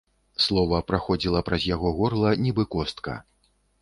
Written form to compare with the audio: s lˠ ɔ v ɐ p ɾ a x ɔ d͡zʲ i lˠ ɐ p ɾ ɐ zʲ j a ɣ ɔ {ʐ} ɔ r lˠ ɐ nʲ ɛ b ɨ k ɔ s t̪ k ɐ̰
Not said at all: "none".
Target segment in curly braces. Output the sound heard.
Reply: ɣ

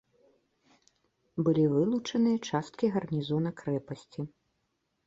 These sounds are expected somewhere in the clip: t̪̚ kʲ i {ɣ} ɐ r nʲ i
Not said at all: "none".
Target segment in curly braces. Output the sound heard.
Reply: ɣ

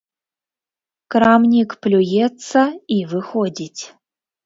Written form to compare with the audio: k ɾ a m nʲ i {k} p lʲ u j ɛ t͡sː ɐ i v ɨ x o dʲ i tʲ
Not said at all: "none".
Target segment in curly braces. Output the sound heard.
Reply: k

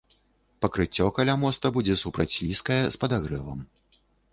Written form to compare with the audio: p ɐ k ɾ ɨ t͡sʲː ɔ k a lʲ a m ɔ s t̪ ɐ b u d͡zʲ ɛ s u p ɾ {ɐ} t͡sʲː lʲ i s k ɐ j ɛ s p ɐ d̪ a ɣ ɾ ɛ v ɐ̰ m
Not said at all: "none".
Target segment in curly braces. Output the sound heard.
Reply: ɐ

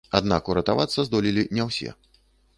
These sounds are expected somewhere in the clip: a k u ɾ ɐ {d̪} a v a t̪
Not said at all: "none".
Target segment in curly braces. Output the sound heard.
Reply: t̪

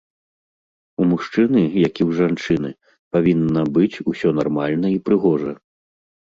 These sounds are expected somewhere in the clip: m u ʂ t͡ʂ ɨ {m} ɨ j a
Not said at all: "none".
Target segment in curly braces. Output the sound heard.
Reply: n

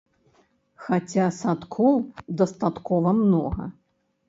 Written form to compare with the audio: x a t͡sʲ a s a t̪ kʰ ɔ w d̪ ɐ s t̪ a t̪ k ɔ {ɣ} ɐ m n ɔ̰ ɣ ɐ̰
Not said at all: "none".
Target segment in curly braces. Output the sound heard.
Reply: v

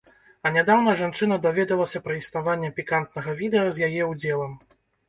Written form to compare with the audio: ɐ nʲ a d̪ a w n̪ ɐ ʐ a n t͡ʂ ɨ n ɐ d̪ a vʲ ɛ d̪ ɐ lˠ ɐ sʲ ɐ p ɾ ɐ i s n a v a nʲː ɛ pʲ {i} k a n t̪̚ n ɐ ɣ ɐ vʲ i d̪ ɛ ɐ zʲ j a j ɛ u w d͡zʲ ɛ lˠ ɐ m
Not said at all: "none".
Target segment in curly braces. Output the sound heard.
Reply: i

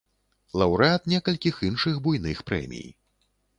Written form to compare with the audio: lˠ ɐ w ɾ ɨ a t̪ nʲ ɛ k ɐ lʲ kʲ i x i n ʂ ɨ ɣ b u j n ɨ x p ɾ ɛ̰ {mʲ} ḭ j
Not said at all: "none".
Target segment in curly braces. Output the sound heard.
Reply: mʲ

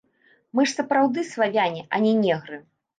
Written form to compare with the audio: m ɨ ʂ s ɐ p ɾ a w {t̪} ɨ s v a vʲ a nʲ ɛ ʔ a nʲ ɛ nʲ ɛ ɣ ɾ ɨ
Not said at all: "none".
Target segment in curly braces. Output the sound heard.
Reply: d̪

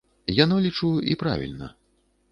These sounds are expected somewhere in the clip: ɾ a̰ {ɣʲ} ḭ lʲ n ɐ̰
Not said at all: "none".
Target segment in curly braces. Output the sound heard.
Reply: vʲ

